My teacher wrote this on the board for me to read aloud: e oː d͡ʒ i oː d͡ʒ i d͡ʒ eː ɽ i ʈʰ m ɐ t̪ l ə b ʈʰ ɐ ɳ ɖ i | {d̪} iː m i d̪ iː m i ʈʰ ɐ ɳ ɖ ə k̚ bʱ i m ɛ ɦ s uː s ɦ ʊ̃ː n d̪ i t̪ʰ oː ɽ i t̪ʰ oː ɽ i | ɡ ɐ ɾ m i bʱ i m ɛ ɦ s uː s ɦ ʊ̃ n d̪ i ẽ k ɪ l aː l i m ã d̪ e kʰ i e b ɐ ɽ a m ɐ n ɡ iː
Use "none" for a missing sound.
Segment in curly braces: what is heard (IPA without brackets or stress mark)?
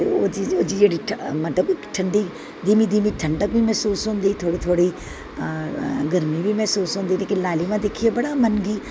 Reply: d̪